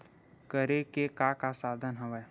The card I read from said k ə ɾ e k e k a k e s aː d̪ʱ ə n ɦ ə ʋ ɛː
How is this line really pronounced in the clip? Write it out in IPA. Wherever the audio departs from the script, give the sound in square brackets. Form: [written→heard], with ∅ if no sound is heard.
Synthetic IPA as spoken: k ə ɾ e k e k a k [e→a] s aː d̪ʱ ə n ɦ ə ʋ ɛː